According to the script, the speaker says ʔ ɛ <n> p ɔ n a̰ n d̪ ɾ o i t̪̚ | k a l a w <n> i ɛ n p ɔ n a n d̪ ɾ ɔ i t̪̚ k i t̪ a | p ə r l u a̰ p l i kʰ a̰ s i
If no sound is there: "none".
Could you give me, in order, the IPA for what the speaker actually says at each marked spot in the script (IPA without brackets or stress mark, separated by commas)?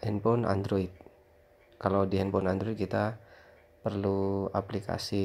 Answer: n, d